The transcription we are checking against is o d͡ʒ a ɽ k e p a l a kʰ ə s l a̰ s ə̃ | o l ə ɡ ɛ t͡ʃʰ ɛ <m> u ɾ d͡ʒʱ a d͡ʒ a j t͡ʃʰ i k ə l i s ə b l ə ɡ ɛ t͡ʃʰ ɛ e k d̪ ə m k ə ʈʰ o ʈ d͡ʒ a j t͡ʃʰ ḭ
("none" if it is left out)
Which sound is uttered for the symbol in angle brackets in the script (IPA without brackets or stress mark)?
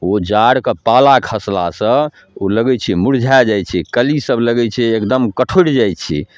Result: m